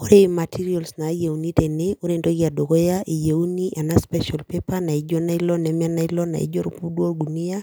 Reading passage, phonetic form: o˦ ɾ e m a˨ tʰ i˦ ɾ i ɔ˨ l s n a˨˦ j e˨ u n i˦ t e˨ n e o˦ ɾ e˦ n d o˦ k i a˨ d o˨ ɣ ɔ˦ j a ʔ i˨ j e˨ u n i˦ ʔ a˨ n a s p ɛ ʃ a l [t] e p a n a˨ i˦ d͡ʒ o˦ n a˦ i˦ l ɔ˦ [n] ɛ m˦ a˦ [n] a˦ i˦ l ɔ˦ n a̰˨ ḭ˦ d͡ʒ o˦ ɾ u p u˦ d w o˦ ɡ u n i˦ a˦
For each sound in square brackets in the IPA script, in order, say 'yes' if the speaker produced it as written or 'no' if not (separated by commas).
no, yes, yes